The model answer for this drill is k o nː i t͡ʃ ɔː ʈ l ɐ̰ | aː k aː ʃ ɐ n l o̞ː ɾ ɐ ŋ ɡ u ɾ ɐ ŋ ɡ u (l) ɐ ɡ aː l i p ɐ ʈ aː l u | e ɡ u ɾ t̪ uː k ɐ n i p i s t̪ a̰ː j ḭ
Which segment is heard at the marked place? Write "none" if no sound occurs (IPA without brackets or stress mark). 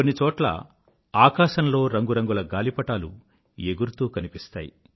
l